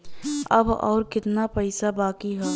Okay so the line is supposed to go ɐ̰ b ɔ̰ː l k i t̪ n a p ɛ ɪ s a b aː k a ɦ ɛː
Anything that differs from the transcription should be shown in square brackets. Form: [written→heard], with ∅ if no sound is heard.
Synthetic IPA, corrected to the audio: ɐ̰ b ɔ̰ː [l→ɾ] k [i→ɪ] t̪ n a p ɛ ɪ s a b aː k [a→i] ɦ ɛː